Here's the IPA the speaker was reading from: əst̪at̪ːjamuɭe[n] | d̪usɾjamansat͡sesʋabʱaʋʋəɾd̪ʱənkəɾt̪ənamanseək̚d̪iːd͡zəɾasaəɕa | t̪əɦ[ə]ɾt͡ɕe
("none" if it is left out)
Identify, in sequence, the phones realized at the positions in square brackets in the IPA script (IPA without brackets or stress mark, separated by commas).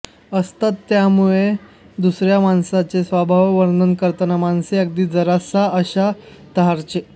none, a